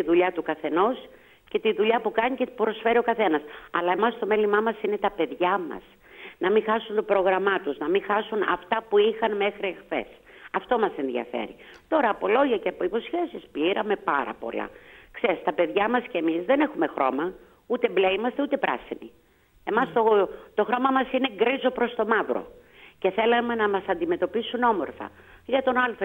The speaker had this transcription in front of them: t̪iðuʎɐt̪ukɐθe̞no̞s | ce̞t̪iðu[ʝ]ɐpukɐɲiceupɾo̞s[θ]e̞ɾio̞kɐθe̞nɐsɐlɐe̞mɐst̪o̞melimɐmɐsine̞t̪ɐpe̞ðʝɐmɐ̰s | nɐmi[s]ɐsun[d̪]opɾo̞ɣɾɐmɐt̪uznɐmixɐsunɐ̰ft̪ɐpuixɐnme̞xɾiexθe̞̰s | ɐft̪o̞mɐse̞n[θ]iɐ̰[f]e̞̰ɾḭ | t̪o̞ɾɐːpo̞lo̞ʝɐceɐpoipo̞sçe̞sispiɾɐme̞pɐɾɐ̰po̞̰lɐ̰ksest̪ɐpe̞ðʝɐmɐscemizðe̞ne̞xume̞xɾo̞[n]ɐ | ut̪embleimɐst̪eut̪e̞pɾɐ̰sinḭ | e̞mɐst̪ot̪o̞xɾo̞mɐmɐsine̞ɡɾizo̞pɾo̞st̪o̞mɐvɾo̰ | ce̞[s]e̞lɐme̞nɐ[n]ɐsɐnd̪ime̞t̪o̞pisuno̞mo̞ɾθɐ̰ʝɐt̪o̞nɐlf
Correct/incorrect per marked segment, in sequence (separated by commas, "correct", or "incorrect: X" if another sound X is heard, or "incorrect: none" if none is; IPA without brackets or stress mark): incorrect: ʎ, incorrect: f, incorrect: x, incorrect: t̪, incorrect: ð, correct, incorrect: m, incorrect: θ, incorrect: m